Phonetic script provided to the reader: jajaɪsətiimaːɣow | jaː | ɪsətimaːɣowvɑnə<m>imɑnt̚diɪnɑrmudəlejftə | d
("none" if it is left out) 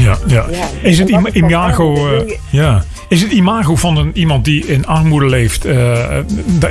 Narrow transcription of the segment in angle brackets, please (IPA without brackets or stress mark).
n